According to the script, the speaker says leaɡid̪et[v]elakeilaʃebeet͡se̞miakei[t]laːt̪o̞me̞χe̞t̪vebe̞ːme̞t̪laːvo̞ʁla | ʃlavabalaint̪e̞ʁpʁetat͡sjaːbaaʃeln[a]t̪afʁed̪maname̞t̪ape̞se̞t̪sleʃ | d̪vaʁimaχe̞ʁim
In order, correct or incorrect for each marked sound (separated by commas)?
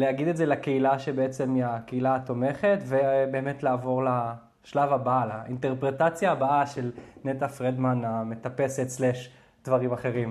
incorrect, incorrect, incorrect